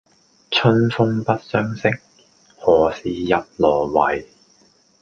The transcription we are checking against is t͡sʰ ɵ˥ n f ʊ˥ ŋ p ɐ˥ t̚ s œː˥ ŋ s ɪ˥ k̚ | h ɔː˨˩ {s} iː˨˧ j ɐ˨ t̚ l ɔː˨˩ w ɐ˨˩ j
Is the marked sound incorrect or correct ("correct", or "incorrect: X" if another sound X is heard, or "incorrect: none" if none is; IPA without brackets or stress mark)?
correct